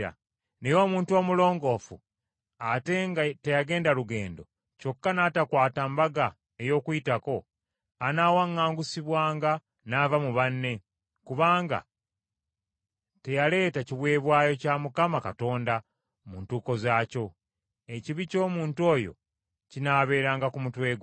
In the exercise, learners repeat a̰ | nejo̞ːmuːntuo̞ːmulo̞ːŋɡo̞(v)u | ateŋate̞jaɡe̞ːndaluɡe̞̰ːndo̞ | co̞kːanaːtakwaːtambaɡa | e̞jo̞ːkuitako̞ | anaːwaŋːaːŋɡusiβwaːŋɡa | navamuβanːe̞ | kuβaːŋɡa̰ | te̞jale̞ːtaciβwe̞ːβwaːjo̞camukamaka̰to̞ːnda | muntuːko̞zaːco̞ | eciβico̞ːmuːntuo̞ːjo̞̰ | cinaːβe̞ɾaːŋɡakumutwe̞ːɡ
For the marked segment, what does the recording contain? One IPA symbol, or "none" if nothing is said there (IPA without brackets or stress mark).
f